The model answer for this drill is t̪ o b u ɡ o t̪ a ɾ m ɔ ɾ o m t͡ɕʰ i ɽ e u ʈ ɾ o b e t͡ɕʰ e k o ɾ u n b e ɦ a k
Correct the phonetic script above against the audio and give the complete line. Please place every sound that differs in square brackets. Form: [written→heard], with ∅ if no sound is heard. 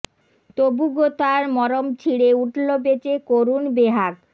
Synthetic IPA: t̪ o b u ɡ o t̪ a ɾ m ɔ ɾ o m t͡ɕʰ i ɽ e u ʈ [ɾ→l] o b e [t͡ɕʰ→t͡ɕ] e k o ɾ u n b e ɦ a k

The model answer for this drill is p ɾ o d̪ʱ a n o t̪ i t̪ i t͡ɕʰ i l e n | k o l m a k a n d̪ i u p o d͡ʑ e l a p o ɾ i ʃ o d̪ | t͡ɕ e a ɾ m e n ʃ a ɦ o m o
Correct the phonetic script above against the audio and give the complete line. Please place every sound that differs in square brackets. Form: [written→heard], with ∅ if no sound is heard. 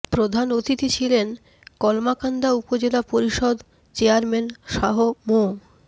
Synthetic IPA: p ɾ o d̪ʱ a n o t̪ i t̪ i t͡ɕʰ i l e n | k [o→ɔ] l m a k a n d̪ [i→a] u p o d͡ʑ e l a p o ɾ i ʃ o d̪ | t͡ɕ e a ɾ m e n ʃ a ɦ o m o

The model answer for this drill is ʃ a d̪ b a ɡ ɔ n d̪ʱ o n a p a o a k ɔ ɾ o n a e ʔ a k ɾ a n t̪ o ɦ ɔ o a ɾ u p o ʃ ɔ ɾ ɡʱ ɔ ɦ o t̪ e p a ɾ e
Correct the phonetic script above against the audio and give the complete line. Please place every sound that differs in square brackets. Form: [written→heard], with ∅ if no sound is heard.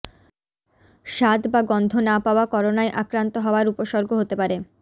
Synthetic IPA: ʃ a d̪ b a ɡ ɔ n d̪ʱ o n a p a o a k ɔ ɾ o n a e ʔ a k ɾ a n t̪ o ɦ ɔ o a ɾ u p o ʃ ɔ ɾ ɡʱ [ɔ→o] ɦ o t̪ e p a ɾ e

